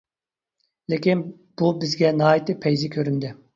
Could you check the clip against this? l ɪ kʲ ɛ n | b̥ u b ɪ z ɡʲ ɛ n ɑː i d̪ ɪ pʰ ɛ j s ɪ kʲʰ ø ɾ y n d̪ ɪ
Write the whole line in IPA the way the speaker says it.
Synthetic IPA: l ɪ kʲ i n | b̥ u b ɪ z ɡʲ ɛ n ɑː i t̪ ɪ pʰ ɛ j z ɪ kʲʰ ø ɾ y n d̪ ɪ